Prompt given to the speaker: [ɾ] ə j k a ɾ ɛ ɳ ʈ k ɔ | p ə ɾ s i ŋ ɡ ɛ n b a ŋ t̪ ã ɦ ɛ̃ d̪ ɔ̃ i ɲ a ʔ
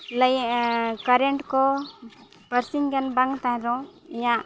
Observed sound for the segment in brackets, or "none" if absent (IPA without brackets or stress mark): l